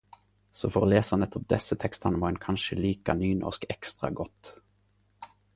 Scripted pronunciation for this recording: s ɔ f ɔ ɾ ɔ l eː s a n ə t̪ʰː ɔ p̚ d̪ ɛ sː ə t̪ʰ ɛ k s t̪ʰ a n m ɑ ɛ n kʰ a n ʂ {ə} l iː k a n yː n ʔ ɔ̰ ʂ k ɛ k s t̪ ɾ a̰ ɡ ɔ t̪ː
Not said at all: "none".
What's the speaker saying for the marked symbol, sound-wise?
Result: ə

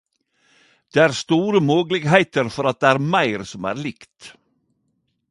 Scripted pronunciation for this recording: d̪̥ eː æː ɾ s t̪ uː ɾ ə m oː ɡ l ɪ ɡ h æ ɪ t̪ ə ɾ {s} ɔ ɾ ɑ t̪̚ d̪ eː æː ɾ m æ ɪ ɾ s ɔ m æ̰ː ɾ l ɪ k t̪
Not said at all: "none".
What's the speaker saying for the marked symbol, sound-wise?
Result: f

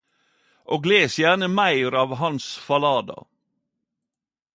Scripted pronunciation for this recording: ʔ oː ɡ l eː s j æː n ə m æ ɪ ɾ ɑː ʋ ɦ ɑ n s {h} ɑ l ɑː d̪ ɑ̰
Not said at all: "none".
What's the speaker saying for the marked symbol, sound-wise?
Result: f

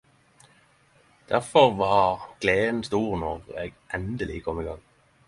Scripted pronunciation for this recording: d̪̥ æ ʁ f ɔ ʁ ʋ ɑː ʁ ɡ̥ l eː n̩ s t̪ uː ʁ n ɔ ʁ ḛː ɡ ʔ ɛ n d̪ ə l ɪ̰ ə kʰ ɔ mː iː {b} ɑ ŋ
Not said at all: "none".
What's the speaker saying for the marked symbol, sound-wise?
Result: ɡ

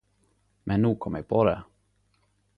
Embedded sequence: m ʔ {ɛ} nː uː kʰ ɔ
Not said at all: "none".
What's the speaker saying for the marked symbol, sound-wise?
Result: ɛ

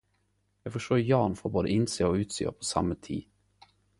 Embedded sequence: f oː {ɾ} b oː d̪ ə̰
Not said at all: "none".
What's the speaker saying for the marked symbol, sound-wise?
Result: ɾ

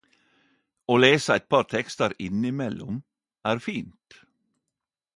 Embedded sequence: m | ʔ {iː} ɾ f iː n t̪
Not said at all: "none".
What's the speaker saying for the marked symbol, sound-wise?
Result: æː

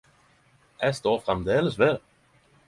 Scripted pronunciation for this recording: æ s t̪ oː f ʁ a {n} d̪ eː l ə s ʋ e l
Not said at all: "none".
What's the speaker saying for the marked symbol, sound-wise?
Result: m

